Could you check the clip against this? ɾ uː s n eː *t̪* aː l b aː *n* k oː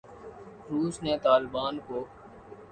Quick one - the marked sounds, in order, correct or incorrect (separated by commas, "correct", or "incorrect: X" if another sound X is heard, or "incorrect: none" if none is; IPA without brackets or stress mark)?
correct, correct